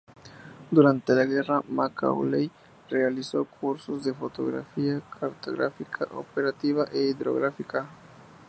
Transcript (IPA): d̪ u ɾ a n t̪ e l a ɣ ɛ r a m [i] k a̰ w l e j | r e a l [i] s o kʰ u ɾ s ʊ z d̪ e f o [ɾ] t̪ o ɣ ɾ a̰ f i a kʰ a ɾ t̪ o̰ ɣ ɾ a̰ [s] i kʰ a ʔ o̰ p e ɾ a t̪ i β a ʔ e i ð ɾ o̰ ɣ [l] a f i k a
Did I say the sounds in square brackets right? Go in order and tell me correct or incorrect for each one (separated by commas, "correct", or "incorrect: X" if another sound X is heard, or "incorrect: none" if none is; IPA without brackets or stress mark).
incorrect: a, correct, incorrect: none, incorrect: f, incorrect: ɾ